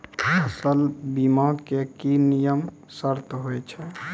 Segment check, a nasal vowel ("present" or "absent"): absent